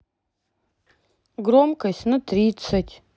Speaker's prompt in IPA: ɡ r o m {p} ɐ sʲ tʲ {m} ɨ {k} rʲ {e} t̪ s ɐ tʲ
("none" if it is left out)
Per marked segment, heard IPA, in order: k, n, t, i

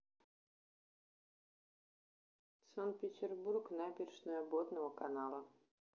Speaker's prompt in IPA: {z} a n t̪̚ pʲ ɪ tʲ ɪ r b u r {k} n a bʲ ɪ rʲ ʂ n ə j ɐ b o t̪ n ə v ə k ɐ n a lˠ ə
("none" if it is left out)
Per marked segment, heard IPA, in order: s, k

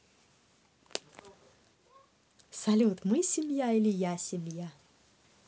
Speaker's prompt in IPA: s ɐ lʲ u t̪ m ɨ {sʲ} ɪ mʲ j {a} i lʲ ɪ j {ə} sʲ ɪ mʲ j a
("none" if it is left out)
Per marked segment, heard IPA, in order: sʲ, a, a

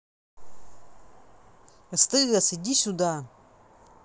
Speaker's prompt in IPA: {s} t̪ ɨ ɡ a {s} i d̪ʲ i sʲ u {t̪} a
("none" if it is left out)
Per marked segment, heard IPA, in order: s, s, d̪

